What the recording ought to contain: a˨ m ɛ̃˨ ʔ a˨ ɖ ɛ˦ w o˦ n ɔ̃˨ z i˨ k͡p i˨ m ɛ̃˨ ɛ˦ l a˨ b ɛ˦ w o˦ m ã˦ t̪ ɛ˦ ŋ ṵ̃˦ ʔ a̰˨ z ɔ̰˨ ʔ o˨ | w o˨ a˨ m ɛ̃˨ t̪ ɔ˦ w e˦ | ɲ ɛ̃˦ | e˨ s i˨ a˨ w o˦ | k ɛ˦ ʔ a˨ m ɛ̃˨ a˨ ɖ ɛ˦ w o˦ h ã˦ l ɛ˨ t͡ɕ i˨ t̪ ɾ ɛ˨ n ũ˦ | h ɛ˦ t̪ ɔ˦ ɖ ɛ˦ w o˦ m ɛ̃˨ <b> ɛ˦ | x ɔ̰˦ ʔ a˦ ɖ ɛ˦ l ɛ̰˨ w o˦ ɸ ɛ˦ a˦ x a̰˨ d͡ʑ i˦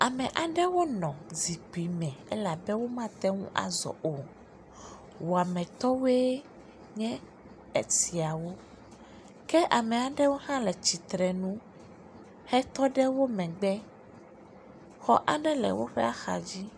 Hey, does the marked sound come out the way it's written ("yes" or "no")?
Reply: no